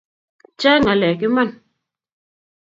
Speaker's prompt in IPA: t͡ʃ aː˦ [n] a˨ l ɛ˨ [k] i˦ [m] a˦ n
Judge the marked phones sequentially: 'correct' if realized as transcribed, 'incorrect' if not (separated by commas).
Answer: incorrect, correct, correct